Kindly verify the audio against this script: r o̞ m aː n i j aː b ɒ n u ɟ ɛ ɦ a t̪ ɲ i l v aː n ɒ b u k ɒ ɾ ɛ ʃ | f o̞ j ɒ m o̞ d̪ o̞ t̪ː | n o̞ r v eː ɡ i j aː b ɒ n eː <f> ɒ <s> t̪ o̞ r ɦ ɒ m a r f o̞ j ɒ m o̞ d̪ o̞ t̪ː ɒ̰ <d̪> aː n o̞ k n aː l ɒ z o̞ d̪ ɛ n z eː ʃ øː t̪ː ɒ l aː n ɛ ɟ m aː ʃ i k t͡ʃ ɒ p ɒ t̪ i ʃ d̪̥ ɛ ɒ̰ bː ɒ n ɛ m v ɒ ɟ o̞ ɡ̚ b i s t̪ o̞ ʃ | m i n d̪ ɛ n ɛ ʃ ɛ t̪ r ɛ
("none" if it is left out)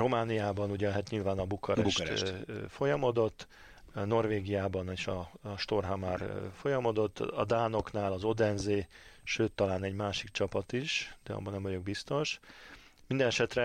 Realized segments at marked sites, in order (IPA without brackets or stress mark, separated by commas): ʃ, ʃ, d̪